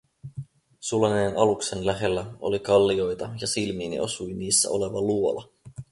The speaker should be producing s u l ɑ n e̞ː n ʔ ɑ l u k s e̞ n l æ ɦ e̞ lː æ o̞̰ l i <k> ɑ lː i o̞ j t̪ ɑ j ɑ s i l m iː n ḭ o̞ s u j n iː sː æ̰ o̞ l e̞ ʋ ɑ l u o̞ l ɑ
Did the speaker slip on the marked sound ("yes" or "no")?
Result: no